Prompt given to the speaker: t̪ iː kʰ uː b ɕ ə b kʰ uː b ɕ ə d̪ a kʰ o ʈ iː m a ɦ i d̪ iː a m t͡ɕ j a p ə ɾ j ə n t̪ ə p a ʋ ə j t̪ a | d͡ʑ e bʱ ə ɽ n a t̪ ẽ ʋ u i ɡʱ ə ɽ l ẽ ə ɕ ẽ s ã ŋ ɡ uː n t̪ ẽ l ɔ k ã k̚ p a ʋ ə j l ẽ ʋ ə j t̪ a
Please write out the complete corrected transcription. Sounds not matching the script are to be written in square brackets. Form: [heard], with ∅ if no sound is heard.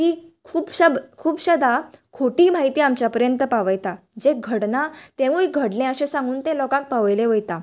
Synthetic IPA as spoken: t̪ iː kʰ uː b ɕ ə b kʰ uː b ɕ ə d̪ a kʰ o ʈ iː m a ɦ i [t̪] iː a m t͡ɕ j a p ə ɾ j ə n t̪ ə p a ʋ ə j t̪ a | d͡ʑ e [ɡʱ] ə ɽ n a t̪ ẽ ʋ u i ɡʱ ə ɽ l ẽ ə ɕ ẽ s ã ŋ ɡ uː n t̪ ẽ l ɔ k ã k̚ p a ʋ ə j l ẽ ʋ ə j t̪ a